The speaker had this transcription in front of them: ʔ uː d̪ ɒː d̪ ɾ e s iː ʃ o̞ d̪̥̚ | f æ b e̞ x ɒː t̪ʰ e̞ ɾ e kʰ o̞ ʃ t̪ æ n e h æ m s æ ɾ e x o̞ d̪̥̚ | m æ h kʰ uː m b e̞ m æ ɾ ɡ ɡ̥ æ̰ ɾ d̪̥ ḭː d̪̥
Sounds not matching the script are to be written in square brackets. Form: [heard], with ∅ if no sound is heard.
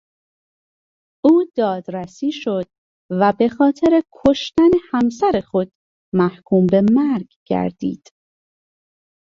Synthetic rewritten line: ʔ uː d̪ ɒː d̪ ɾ [æ] s iː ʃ o̞ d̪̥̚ | [v] æ b e̞ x ɒː t̪ʰ e̞ ɾ e kʰ o̞ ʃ t̪ æ n e h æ m s æ ɾ e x o̞ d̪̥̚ | m æ h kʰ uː m b e̞ m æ ɾ ɡ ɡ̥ æ̰ ɾ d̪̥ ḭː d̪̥